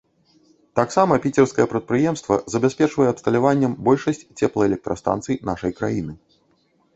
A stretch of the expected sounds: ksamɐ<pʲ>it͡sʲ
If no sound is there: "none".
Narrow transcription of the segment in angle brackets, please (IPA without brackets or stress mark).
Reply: pʲ